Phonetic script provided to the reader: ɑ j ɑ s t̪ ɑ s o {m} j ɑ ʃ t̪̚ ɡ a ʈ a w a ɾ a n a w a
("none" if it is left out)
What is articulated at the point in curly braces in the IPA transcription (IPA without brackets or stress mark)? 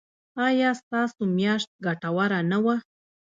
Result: m